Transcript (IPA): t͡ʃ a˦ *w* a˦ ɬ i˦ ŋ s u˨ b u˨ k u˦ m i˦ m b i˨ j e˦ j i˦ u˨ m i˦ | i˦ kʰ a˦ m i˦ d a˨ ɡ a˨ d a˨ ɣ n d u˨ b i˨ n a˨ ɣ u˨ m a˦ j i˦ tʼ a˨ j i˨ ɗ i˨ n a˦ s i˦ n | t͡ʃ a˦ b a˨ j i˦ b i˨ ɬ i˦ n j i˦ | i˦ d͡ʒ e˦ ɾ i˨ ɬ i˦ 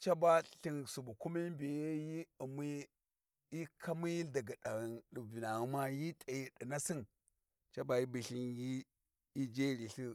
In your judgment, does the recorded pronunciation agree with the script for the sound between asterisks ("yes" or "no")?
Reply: no